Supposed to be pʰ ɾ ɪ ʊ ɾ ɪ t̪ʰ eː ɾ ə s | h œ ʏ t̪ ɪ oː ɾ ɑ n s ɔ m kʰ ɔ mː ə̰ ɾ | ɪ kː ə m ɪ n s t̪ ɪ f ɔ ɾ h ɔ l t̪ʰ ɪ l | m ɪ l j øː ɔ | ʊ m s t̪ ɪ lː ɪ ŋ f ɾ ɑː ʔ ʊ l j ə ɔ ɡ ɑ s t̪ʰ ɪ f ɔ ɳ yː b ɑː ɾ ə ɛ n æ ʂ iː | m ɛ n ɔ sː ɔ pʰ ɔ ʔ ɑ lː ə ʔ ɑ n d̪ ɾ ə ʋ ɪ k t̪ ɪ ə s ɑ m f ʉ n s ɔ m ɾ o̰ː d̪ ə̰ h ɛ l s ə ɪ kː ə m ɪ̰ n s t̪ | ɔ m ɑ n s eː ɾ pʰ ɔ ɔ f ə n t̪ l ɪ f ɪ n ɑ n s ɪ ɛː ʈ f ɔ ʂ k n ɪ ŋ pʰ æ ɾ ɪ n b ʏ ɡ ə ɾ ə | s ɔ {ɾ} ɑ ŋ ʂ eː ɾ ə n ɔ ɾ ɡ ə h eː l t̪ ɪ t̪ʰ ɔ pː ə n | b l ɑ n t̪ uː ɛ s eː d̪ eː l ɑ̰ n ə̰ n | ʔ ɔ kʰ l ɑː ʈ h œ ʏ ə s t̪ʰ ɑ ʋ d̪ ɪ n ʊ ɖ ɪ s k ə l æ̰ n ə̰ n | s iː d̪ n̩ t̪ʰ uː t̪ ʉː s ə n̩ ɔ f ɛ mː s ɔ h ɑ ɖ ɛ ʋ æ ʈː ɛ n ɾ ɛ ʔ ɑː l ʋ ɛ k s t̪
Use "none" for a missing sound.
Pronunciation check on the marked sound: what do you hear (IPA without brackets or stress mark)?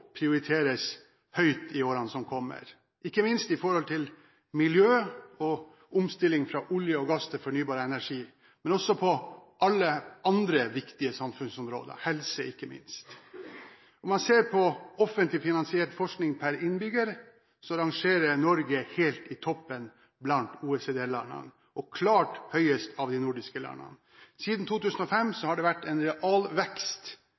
ɾ